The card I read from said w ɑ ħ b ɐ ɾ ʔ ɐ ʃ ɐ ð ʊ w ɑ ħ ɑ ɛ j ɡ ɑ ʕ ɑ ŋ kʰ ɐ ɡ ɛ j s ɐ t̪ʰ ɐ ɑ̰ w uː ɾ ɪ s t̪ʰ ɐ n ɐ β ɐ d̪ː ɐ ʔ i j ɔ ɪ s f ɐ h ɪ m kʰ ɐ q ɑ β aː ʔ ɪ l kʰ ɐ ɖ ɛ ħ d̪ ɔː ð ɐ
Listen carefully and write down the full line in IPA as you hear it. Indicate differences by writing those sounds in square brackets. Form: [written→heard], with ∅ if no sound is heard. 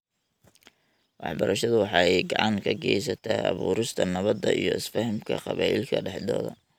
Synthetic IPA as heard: w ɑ ħ b ɐ ɾ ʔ ɐ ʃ ɐ ð ʊ w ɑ ħ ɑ ɛ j ɡ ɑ ʕ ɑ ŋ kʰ ɐ ɡ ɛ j s ɐ t̪ʰ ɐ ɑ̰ [w→β] uː ɾ ɪ s t̪ʰ ɐ n ɐ β ɐ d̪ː ɐ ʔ i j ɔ ɪ s f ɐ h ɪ m kʰ ɐ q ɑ β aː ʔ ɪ l kʰ ɐ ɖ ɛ ħ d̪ ɔː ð ɐ

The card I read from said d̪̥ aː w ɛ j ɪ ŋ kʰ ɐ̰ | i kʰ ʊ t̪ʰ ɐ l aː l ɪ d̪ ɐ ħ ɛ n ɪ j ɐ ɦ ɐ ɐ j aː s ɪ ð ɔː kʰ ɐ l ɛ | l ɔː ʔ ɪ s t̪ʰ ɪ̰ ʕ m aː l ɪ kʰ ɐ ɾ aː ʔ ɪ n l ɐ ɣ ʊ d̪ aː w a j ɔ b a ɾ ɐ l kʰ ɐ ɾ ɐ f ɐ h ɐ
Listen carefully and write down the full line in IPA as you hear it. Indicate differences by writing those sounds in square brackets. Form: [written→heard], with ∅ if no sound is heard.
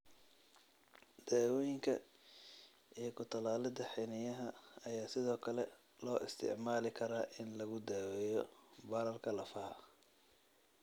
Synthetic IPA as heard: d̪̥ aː w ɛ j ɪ ŋ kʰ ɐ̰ | i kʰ ʊ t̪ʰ ɐ l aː l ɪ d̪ ɐ ħ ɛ n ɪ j ɐ ɦ ɐ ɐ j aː s ɪ ð ɔː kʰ ɐ l ɛ | l ɔː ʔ ɪ s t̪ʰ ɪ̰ ʕ m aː l ɪ kʰ ɐ ɾ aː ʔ ɪ n l ɐ ɣ ʊ d̪ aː w [a→ɛ] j ɔ b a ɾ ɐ l kʰ ɐ [ɾ→l] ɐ f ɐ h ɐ

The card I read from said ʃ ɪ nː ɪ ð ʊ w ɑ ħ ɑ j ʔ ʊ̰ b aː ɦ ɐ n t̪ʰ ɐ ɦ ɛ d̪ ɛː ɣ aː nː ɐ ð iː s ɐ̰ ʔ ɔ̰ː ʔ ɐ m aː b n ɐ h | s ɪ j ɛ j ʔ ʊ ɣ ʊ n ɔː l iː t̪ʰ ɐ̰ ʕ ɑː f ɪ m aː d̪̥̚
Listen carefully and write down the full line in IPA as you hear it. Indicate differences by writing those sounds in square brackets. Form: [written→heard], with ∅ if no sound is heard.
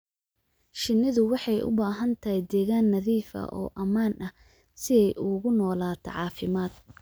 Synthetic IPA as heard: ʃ ɪ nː ɪ ð ʊ w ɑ ħ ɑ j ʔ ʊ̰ b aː ɦ ɐ n t̪ʰ ɐ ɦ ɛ d̪ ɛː ɣ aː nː ɐ ð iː [s→f] ɐ̰ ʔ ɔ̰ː ʔ ɐ m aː [b→∅] n ɐ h | s ɪ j ɛ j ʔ ʊ ɣ ʊ n ɔː l [iː→aː] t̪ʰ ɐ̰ ʕ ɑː f ɪ m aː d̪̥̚

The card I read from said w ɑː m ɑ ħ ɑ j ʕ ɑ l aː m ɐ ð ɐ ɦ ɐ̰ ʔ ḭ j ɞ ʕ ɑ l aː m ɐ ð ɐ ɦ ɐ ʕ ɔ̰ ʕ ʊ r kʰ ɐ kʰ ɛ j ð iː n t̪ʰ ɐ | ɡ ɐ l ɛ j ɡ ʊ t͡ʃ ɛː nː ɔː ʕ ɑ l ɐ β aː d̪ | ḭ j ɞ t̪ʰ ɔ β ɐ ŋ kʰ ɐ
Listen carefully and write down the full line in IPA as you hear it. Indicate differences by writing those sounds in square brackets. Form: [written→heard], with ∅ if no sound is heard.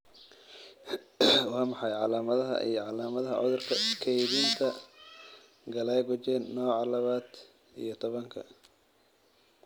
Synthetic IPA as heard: w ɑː m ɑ ħ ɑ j ʕ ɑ l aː m ɐ ð ɐ ɦ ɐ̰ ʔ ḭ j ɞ ʕ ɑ l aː m ɐ ð ɐ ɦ ɐ ʕ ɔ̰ [ʕ→ð] ʊ r kʰ ɐ kʰ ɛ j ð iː n t̪ʰ ɐ | ɡ ɐ l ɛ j ɡ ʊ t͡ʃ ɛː nː ɔː ʕ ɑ l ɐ β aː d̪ | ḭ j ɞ t̪ʰ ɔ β ɐ ŋ kʰ ɐ

